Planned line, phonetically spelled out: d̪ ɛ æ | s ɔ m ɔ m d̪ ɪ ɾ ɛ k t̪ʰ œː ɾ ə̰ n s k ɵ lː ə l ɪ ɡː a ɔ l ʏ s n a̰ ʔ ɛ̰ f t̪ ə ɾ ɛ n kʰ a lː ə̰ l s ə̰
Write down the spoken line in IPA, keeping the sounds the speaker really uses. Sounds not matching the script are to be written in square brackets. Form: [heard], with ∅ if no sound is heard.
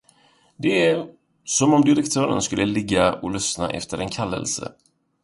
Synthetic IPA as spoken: d̪ ɛ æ | s ɔ m ɔ m d̪ ɪ ɾ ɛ k t̪ʰ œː ɾ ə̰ n s k ɵ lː ə l ɪ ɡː a ɔ l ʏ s n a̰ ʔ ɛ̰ f t̪ ə ɾ ɛ n kʰ a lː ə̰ l s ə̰